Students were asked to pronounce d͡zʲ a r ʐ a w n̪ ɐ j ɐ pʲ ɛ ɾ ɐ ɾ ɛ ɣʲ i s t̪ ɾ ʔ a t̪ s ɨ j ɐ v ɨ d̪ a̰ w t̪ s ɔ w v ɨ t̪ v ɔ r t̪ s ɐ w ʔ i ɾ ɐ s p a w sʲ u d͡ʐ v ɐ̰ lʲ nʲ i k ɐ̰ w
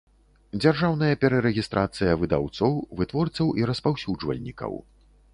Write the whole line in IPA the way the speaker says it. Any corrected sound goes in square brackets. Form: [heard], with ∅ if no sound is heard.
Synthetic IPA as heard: d͡zʲ a r ʐ a w n̪ ɐ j ɐ pʲ ɛ ɾ ɐ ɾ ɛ ɣʲ i s t̪ ɾ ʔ a t̪ s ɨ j ɐ v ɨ d̪ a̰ w t̪ s ɔ w v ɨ t̪ v ɔ r t̪ s ɐ w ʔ i ɾ ɐ s p a w sʲ u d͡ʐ v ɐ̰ lʲ nʲ i k ɐ̰ w